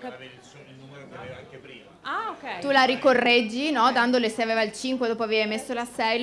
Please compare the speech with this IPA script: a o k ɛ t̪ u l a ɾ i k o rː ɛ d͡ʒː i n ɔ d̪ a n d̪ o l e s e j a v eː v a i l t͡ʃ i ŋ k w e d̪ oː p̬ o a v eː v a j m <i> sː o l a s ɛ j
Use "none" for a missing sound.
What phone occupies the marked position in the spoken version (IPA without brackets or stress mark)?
e